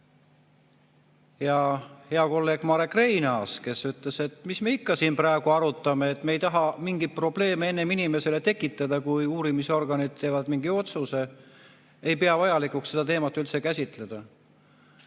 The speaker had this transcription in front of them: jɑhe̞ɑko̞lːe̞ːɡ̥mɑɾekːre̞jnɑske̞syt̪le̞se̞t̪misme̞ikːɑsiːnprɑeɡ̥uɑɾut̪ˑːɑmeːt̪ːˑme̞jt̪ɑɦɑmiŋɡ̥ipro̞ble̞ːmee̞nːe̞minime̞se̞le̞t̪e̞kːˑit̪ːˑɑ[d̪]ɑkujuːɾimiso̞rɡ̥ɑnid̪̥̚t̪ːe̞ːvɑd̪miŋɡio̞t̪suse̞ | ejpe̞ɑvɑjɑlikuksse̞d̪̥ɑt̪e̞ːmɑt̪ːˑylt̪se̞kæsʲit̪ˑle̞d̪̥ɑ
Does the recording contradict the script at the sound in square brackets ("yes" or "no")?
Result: no